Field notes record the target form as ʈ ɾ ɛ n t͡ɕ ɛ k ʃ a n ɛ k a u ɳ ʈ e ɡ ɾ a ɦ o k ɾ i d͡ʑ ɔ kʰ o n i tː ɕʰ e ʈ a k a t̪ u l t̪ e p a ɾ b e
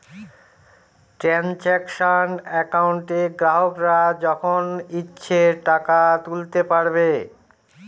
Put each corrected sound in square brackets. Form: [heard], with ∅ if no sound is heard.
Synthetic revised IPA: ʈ ɾ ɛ n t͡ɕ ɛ k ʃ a n ɛ k a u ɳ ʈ e ɡ ɾ a ɦ o k ɾ [a] d͡ʑ ɔ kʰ o n i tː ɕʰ e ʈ a k a t̪ u l t̪ e p a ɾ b e